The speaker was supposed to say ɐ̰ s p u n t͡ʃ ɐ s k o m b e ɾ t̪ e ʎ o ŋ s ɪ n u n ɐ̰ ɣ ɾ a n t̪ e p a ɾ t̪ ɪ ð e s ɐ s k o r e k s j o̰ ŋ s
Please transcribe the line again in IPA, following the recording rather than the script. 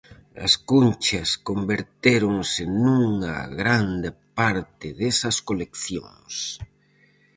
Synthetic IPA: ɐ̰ s k u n t͡ʃ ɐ s k o m b e ɾ t̪ e ɾ o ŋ s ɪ n u ŋ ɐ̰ ɣ ɾ a n d̪ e p a ɾ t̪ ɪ ð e s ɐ s k o l e k θ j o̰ ŋ s